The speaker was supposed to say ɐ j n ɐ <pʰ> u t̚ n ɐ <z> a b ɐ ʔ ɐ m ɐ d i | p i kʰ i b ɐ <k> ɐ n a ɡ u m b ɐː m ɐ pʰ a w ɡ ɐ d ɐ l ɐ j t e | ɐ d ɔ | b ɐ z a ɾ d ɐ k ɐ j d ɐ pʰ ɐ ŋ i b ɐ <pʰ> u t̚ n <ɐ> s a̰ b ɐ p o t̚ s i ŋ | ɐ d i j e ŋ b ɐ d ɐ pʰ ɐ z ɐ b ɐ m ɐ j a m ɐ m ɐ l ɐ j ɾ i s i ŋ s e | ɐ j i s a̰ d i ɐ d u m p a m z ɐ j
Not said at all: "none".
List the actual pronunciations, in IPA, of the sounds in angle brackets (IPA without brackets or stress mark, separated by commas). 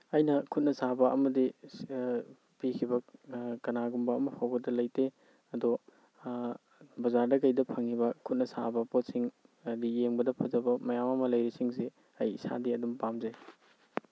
kʰ, s, k, kʰ, ɐ